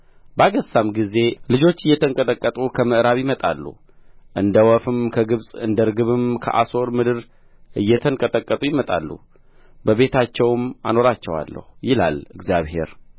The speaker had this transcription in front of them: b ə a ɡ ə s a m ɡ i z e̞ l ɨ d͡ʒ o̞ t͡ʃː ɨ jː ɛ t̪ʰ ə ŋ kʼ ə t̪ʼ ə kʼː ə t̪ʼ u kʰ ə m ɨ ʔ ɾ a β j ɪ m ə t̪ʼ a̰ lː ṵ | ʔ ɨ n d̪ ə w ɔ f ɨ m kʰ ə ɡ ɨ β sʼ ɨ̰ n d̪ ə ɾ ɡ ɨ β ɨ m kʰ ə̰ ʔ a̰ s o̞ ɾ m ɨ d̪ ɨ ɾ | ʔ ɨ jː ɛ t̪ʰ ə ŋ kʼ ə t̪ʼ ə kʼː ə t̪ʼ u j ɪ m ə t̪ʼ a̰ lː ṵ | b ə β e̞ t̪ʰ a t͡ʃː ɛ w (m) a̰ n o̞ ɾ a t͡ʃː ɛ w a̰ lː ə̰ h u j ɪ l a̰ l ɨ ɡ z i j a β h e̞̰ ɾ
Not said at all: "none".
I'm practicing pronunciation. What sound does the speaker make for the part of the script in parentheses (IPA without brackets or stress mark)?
m